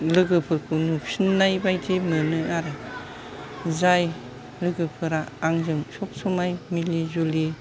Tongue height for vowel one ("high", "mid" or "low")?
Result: high